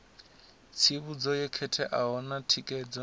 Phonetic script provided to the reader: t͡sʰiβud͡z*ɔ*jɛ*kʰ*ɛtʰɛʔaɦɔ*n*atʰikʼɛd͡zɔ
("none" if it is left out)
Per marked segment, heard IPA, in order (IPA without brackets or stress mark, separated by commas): ɔ, kʰ, n